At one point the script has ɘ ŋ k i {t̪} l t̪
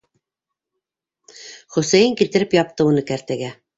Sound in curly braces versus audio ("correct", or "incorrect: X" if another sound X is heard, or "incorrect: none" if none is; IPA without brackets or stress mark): incorrect: none